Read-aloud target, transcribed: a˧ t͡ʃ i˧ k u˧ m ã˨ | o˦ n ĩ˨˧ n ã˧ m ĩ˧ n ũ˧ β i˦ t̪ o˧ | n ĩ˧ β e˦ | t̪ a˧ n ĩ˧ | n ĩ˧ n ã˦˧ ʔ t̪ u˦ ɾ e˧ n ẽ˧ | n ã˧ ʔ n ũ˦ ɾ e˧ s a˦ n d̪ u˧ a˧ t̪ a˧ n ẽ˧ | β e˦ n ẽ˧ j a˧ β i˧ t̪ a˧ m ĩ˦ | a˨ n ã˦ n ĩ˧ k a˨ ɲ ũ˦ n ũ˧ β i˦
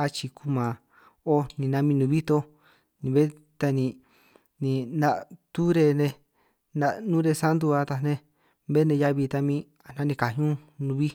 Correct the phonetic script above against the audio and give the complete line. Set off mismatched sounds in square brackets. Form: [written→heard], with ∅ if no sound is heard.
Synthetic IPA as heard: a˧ t͡ʃ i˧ k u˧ m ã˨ | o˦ n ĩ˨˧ n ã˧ m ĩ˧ n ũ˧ β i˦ t̪ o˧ | n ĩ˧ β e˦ | t̪ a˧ n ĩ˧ | n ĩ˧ n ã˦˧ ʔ t̪ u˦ ɾ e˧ n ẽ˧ | n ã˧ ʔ n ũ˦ ɾ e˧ s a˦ n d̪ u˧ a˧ t̪ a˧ n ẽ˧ | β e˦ n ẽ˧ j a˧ β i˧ t̪ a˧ m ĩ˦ | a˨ n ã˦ n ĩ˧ k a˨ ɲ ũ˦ n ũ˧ β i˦